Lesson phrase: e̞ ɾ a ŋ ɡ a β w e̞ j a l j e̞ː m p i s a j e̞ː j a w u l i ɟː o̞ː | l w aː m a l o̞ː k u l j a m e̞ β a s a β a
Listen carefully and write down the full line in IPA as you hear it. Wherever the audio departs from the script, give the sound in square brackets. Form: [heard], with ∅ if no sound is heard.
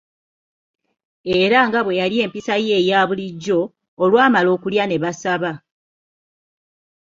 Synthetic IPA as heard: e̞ ɾ a ŋ ɡ a β w e̞ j a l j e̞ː m p i s a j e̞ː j a [β] u l i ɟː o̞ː | l w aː m a l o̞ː k u l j a [n] e̞ β a s a β a